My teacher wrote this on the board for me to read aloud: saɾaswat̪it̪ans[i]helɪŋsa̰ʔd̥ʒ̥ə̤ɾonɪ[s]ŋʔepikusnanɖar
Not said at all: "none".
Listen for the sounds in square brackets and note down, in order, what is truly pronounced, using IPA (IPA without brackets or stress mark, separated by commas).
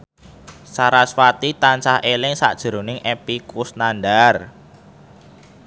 a, none